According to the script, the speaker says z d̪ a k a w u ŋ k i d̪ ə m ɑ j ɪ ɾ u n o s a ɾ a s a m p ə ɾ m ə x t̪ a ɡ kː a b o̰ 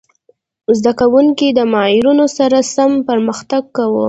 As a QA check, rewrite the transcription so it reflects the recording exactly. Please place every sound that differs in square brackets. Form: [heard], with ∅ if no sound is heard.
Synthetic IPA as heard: z d̪ a k a w u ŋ k i d̪ ə m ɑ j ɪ ɾ u n o s a ɾ a s a m p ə ɾ m ə x t̪ a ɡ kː a [w] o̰

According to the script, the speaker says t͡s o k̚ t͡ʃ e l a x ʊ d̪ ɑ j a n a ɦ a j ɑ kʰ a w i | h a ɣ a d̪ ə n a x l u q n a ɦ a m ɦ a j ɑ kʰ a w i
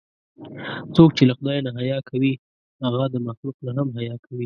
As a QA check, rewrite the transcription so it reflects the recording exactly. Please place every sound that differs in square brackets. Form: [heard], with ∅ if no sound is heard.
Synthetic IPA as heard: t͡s o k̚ t͡ʃ e l a x ʊ d̪ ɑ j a n a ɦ a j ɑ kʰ a w i | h a ɣ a d̪ ə [m] a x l u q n a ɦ a m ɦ a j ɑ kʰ a w i

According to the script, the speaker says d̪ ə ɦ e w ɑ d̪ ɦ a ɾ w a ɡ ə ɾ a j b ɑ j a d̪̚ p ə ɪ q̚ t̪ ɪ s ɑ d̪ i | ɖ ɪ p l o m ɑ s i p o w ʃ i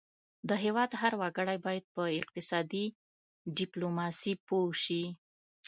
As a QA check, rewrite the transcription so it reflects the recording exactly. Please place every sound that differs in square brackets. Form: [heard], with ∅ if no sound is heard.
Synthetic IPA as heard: d̪ ə ɦ e w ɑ d̪ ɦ a ɾ w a ɡ ə [ɽ] a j b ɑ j a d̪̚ p ə ɪ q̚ t̪ ɪ s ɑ d̪ i | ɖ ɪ p l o m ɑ s i p o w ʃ i

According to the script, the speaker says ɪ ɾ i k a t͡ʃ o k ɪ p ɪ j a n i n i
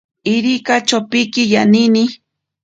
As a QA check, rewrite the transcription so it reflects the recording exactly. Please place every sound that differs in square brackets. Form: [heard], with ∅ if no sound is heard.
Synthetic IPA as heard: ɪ ɾ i k a t͡ʃ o [p] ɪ [k] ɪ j a n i n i

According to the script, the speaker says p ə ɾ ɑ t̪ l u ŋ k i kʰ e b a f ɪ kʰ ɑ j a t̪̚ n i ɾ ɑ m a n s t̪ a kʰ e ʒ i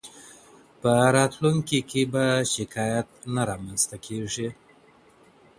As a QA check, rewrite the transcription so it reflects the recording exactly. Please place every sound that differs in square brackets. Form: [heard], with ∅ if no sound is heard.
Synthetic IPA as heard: p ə ɾ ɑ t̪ l u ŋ k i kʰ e b a [ʃ] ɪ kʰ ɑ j a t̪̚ n [a] ɾ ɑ m a n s t̪ a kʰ e [ʐ] i

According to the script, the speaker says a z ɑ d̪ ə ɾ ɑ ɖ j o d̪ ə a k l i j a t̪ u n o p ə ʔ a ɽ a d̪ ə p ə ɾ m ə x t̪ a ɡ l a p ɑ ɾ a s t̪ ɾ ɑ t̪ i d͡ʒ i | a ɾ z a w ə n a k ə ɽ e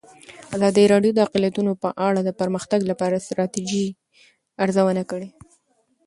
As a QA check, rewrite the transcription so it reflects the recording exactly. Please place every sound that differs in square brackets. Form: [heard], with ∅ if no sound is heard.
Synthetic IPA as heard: a z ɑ d̪ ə ɾ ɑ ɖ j o d̪ ə a [q] l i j a t̪ u n o p ə ʔ a ɽ a d̪ ə p ə ɾ m ə x t̪ a ɡ l a p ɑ ɾ a s t̪ ɾ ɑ t̪ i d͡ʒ i | a ɾ z a w ə n a k ə ɽ e

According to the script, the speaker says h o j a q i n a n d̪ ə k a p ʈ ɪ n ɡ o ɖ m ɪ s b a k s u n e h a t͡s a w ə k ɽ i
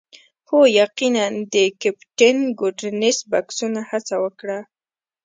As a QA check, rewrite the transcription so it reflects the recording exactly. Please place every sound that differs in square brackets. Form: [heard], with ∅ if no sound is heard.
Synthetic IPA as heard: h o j a q i n a n d̪ ə k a p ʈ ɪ n ɡ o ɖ [n] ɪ s b a k s u n [a] h a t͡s a w ə k ɽ [a]

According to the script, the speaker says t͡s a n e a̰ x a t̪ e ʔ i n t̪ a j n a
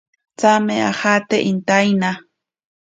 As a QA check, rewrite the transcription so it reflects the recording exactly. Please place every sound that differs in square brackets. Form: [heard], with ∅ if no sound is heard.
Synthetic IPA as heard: t͡s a [m] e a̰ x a t̪ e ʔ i n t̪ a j n a

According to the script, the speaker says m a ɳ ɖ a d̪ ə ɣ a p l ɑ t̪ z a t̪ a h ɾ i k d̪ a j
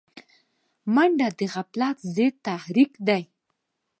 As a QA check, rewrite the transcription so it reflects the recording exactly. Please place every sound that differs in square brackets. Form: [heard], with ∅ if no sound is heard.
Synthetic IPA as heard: m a ɳ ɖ a d̪ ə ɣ a p l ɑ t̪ z [e] t̪ a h ɾ i k d̪ a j

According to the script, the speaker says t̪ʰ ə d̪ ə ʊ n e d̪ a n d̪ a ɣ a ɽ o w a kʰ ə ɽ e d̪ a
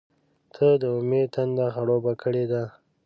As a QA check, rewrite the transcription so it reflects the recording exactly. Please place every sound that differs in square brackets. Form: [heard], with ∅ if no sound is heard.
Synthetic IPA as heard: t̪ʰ ə d̪ ə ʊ [m] e [t̪] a n d̪ a [x] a ɽ o [b] a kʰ ə ɽ e d̪ a

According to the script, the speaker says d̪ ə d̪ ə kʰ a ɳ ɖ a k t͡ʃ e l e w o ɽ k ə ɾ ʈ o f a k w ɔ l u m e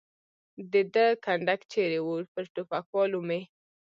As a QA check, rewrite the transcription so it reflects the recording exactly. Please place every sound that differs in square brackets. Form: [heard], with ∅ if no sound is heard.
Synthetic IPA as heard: d̪ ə d̪ ə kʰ a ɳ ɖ a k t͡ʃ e [ɾ] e w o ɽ [p] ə ɾ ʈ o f a k w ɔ l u m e

